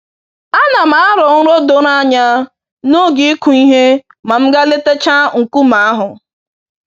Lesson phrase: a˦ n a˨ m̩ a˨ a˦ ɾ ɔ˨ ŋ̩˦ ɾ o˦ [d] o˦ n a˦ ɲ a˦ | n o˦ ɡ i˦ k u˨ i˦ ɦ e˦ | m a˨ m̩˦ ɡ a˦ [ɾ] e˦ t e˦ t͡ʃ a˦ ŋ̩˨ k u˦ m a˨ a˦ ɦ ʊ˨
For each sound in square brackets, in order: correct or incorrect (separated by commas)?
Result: correct, incorrect